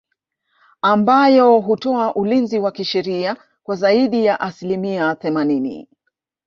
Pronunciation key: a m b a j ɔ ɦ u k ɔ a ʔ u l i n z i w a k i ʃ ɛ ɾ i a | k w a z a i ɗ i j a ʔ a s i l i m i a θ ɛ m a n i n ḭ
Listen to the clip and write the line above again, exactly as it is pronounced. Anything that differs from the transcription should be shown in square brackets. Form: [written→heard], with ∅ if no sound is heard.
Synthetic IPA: a m b a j ɔ ɦ u [k→t] ɔ a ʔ u l i n z i w a k i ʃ ɛ ɾ i a | k w a z a i ɗ i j a ʔ a s i l i m i a θ ɛ m a n i n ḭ